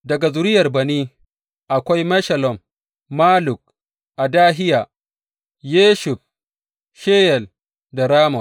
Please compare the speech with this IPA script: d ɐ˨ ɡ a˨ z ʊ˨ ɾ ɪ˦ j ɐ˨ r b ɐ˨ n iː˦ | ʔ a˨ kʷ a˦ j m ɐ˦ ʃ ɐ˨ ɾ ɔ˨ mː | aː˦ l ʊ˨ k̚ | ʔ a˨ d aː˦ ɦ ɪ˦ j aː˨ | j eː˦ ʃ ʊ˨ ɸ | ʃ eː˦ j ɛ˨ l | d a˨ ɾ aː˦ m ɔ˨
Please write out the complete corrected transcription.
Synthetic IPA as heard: d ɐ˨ ɡ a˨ z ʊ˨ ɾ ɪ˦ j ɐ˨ r b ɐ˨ n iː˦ | ʔ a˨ kʷ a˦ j m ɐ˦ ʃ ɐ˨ l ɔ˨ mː | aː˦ l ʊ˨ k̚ | ʔ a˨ d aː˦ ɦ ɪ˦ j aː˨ | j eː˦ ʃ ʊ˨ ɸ | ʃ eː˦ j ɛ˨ l | d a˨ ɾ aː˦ m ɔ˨